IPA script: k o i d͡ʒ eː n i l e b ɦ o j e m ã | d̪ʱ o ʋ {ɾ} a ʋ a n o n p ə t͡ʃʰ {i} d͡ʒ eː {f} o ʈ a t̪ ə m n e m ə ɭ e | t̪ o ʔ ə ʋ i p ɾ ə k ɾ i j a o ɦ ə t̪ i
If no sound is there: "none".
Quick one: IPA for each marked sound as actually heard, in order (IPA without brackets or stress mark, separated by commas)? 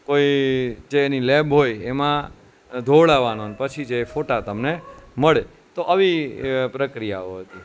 ɭ, i, f